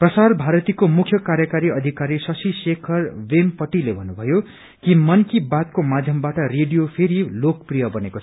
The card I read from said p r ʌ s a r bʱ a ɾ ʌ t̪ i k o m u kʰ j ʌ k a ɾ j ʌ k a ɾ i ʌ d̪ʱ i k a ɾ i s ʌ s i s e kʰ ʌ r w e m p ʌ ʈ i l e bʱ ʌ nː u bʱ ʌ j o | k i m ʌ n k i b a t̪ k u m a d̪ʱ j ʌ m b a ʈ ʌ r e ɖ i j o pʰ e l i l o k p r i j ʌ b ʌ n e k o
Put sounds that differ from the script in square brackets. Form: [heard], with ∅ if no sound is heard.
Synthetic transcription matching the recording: p r ʌ s a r bʱ a ɾ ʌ t̪ i k o m u kʰ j ʌ k a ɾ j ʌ k a ɾ i ʌ d̪ʱ i k a ɾ i s ʌ s i s e kʰ ʌ r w e m p ʌ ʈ i l e bʱ ʌ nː u bʱ ʌ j o | k i m ʌ n k i b a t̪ k [o] m a d̪ʱ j ʌ m b a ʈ ʌ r e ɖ i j o pʰ e [ɾ] i l o k p r i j ʌ b ʌ n e k o